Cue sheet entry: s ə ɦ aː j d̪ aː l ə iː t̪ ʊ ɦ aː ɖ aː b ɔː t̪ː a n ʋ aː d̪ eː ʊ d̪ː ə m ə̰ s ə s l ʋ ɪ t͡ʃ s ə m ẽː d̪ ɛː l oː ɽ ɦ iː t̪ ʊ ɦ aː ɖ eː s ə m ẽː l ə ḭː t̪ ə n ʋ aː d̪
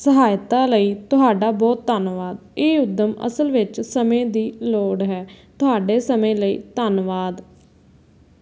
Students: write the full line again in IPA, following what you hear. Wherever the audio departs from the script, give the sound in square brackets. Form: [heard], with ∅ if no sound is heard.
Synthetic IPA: s ə ɦ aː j [t̪] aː l ə iː t̪ ʊ ɦ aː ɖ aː b ɔː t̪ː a n ʋ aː d̪ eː ʊ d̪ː ə m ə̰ s ə [∅] l ʋ ɪ t͡ʃ s ə m ẽː d̪ [iː] l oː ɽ ɦ [ɛː] t̪ ʊ ɦ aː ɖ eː s ə m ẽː l ə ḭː t̪ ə n ʋ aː d̪